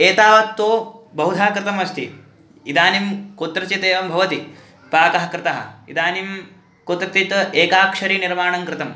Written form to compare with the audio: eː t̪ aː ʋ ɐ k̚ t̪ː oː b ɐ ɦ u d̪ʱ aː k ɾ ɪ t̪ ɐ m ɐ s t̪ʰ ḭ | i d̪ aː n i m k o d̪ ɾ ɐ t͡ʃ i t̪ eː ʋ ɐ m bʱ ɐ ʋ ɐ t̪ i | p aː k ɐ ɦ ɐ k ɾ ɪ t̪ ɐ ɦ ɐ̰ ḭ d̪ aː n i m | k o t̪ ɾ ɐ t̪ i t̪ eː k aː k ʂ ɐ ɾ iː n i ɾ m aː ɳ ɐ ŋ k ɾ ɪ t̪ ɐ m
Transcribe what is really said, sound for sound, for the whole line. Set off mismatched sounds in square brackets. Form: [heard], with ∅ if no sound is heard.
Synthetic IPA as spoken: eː t̪ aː ʋ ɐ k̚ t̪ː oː b ɐ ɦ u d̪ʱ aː k ɾ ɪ t̪ ɐ m ɐ s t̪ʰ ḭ | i d̪ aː n i m k o [t̪] ɾ ɐ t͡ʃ i t̪ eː ʋ ɐ m bʱ ɐ ʋ ɐ t̪ i | p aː k ɐ ɦ ɐ k ɾ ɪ t̪ ɐ ɦ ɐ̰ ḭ d̪ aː n i m | k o t̪ ɾ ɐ t̪ i t̪ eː k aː k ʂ ɐ ɾ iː n i ɾ m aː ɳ ɐ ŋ k ɾ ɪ t̪ ɐ m